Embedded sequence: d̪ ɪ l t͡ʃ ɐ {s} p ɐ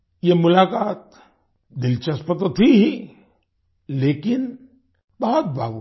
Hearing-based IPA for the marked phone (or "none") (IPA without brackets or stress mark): s